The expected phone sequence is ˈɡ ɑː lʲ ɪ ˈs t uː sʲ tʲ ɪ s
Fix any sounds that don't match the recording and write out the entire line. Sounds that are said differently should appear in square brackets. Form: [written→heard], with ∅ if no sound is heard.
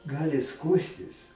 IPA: ˈɡ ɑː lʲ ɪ ˈs [t→k] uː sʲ tʲ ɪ s